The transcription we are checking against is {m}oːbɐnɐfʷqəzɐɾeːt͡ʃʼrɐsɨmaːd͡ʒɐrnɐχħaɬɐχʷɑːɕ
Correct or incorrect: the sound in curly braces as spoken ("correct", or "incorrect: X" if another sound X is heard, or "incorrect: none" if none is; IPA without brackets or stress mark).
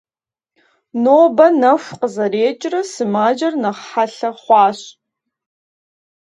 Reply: incorrect: n